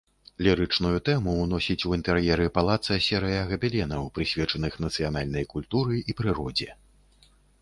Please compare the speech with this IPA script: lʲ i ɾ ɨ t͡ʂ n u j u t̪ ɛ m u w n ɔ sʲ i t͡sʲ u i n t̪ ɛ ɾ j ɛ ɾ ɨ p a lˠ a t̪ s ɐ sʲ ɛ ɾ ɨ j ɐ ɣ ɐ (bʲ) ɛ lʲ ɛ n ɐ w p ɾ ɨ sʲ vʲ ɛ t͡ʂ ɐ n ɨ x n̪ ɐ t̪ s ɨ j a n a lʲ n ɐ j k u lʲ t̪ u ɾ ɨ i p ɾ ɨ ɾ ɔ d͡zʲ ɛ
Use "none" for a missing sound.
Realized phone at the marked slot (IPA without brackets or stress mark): bʲ